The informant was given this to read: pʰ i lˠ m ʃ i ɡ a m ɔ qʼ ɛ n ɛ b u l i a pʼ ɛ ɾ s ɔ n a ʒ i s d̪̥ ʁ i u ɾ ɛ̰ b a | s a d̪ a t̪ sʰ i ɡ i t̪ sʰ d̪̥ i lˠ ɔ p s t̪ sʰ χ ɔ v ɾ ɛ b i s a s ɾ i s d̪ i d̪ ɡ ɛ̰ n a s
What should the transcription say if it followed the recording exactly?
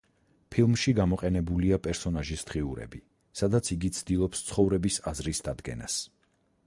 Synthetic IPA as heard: pʰ i lˠ m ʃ i ɡ a m ɔ qʼ ɛ n ɛ b u l i a pʼ ɛ ɾ s ɔ n a ʒ i s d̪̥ ʁ i u ɾ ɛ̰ b i | s a d̪ a t̪ sʰ i ɡ i t̪ sʰ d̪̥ i lˠ ɔ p s t̪ sʰ χ ɔ v ɾ ɛ b i s a z ɾ i s d̪ a d̪ ɡ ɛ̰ n a s